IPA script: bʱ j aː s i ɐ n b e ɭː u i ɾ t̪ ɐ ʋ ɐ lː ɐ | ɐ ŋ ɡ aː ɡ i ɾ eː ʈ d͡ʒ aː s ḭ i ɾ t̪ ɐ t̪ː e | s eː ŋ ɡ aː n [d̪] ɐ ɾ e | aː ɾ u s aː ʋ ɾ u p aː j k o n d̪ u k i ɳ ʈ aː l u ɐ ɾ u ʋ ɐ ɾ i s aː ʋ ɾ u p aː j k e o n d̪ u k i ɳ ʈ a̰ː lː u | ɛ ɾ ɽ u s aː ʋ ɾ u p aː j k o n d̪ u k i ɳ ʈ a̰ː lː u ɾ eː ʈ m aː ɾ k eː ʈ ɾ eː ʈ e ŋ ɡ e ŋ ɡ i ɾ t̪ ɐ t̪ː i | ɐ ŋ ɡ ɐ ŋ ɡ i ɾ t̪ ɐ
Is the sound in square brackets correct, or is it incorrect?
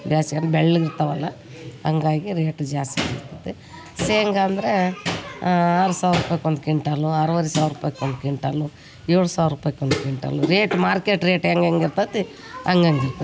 correct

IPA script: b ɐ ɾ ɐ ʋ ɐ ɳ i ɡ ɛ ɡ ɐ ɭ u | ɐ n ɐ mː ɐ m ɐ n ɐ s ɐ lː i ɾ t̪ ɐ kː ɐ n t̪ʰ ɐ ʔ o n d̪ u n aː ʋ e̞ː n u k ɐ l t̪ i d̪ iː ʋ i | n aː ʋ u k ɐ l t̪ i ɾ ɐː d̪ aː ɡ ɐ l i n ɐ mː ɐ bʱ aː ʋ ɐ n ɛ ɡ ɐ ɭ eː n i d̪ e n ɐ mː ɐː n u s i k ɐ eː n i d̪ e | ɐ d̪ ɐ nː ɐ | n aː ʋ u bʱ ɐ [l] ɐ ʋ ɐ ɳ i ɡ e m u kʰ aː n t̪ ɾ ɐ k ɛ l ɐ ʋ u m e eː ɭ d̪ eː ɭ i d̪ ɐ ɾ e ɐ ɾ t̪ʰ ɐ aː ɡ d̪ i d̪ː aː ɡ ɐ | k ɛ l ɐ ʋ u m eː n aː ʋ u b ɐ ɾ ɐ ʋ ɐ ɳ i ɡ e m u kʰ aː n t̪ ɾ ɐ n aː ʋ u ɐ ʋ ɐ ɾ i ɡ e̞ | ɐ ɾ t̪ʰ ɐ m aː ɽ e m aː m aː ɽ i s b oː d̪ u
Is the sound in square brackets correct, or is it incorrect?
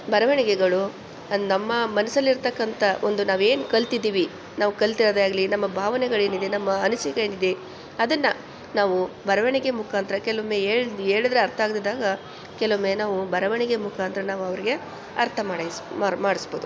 incorrect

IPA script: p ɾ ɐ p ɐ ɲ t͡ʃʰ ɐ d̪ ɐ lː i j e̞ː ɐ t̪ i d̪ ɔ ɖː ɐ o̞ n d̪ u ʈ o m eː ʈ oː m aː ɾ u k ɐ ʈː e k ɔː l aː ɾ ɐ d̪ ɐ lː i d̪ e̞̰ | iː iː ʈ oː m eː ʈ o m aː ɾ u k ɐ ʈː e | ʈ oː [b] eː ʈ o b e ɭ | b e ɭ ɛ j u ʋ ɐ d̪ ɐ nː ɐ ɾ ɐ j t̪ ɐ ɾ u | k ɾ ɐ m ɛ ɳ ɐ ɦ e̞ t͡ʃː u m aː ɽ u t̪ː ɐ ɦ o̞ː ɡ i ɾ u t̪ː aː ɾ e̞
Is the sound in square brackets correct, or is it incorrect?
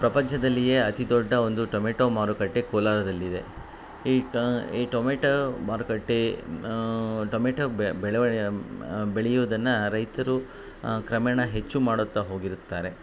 incorrect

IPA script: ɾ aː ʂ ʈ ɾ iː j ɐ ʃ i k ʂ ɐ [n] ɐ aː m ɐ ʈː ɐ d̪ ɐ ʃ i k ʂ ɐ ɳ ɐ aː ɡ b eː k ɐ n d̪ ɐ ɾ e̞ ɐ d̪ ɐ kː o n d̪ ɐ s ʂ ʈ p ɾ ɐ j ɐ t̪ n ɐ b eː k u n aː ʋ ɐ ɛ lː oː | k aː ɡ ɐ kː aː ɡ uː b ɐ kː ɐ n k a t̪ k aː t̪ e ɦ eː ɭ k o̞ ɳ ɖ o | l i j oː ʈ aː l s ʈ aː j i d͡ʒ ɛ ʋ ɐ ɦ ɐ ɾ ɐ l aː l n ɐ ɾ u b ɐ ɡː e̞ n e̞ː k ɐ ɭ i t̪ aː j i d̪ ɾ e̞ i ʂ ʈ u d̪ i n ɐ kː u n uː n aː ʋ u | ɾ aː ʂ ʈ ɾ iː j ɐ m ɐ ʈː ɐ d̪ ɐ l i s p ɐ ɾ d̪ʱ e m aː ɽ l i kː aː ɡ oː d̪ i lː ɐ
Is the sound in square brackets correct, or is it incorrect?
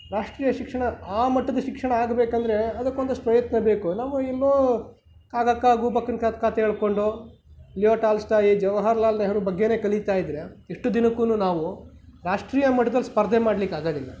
incorrect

